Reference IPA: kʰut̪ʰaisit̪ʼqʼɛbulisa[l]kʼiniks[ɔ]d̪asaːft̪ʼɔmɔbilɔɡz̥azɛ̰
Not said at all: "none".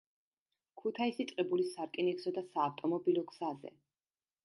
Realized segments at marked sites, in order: ɾ, ɔ

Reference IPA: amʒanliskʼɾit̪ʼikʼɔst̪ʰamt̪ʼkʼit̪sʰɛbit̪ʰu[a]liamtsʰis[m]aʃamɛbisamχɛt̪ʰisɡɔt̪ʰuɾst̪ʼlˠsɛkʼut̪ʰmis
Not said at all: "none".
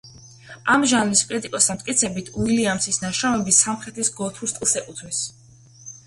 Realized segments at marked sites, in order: i, n

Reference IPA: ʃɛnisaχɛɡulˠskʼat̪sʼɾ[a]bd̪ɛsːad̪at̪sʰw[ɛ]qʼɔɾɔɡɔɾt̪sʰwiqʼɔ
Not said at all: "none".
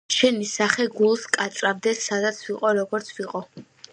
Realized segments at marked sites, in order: a, i

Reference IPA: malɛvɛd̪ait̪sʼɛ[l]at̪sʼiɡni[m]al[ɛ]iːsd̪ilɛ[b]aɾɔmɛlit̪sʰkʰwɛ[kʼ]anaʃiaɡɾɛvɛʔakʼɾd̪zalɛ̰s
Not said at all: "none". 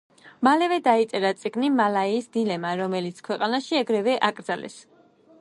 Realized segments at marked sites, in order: ɾ, m, a, m, qʼ

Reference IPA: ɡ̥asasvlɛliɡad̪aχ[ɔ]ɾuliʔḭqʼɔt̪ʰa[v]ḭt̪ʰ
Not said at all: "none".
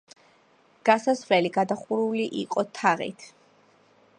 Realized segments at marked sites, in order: u, ʁ

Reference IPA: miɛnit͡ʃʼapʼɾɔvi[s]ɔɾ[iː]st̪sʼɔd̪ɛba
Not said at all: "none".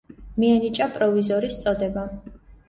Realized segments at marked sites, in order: z, i

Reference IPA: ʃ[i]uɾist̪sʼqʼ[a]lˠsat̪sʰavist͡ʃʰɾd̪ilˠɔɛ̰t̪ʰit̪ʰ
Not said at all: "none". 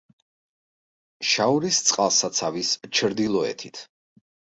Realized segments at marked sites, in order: a, a

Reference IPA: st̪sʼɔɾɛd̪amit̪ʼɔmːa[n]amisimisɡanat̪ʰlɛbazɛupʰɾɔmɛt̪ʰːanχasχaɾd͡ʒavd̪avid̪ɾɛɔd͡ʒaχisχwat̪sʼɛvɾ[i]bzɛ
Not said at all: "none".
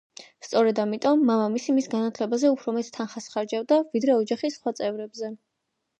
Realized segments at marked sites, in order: m, ɛ

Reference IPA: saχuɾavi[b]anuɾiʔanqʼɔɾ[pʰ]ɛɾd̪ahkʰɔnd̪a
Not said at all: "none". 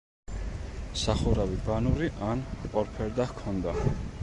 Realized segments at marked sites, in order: b, pʰ

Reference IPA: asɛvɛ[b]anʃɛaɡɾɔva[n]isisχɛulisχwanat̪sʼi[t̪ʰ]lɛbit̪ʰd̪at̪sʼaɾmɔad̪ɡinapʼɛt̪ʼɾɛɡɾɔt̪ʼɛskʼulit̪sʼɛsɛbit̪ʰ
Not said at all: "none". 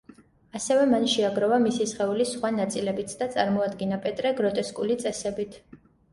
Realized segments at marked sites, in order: m, m, none

